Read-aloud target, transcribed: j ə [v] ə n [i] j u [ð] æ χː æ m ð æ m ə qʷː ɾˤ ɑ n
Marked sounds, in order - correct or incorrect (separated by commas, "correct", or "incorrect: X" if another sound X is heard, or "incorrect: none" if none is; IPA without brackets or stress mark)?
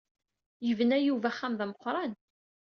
correct, incorrect: æ, incorrect: v